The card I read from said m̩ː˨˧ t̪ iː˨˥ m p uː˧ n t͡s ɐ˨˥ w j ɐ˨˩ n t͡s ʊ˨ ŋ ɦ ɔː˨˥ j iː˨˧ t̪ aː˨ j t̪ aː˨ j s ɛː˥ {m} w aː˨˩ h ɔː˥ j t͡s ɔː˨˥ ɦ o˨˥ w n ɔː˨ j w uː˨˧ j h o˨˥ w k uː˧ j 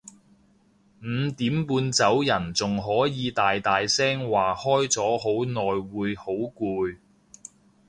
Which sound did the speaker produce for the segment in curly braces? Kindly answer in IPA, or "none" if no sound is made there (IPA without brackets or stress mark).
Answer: ŋ